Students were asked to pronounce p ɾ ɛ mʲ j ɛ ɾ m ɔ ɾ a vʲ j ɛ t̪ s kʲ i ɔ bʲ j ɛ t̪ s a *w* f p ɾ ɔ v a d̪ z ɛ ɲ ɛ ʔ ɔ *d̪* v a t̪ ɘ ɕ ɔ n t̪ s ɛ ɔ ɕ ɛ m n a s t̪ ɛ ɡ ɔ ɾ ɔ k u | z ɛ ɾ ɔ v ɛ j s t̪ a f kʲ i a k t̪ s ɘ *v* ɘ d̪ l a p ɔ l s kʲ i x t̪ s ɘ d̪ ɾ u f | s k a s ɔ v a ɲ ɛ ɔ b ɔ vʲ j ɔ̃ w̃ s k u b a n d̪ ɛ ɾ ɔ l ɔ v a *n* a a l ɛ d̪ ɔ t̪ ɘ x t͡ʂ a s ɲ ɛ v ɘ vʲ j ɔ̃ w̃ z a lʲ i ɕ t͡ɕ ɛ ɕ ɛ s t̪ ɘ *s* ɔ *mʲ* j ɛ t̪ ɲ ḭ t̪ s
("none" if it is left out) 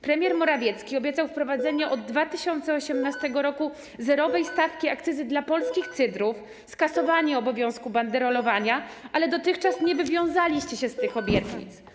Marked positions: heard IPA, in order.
w, d̪ː, z, ɲ, x, bʲ

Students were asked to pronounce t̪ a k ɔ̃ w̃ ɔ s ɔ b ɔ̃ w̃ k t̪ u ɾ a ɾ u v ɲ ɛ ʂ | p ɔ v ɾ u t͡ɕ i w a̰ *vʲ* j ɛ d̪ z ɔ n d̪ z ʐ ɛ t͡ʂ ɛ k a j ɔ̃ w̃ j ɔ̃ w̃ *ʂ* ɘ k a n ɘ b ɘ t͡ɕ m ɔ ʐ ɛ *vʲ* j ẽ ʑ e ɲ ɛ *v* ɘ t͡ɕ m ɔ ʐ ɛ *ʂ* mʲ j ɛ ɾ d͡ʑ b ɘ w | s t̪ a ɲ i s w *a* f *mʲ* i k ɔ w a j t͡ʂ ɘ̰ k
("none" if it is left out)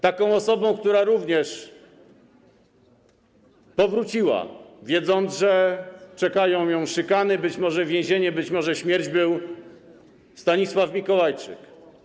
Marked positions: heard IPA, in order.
vʲ, ʂ, vʲ, b, ɕ, a, mʲ

